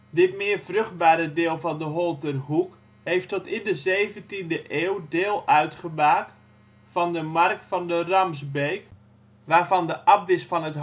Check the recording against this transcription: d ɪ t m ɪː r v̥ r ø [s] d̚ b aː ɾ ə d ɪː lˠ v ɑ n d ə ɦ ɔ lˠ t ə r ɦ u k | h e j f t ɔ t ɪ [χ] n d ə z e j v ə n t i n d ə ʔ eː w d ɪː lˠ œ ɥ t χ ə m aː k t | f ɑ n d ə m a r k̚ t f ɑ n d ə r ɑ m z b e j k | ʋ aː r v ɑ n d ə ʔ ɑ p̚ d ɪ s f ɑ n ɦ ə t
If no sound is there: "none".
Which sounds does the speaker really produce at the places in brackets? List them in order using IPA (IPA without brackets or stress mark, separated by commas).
χ, none